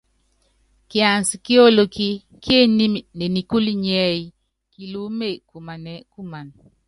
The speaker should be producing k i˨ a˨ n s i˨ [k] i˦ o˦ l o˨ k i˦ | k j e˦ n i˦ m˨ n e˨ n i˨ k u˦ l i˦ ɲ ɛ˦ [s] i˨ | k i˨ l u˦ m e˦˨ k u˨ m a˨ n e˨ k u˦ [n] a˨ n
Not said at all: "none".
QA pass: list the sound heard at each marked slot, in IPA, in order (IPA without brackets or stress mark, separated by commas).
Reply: k, none, m